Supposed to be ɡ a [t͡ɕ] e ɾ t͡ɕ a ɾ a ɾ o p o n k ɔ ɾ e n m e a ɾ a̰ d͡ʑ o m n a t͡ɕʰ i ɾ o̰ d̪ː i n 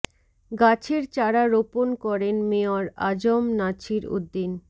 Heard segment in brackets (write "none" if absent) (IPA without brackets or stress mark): t͡ɕʰ